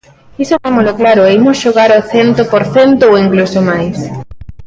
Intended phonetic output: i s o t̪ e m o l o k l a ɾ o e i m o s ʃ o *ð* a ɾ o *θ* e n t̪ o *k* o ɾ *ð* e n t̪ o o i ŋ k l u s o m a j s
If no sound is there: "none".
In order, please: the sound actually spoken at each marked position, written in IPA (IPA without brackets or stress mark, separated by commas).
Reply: ɣ, θ, p, θ